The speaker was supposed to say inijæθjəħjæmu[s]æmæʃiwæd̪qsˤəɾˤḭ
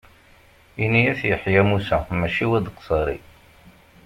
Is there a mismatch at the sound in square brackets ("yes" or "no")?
no